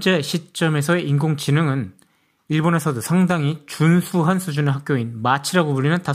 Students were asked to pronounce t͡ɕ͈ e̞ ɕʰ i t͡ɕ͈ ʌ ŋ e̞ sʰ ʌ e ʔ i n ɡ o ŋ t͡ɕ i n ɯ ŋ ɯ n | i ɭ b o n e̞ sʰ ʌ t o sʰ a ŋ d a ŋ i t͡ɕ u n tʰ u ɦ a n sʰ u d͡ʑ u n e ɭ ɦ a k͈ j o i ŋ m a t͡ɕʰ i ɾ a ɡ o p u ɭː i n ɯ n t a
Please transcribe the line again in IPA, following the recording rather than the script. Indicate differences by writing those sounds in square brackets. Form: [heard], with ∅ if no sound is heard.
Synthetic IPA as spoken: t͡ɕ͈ e̞ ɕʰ i t͡ɕ͈ ʌ [m] e̞ sʰ ʌ e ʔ i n ɡ o ŋ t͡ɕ i n ɯ ŋ ɯ n | i ɭ b o n e̞ sʰ ʌ [d] o sʰ a ŋ d a ŋ i t͡ɕ u n [sʰ] u ɦ a n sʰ u d͡ʑ u n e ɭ ɦ a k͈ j o i [n] m a t͡ɕʰ i ɾ a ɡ o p u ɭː i n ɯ n t a